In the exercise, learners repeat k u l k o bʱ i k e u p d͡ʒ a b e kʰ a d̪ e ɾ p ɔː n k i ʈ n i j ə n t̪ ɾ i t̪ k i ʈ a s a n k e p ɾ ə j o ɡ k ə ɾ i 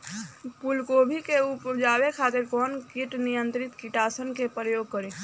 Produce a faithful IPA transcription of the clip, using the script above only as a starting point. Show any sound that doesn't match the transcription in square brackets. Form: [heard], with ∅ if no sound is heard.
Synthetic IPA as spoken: [p] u l k o bʱ i k e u p d͡ʒ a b e kʰ a [t̪] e ɾ [k] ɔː n k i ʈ n i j ə n t̪ ɾ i t̪ k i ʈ a s [ə] n k e p ɾ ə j o ɡ k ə ɾ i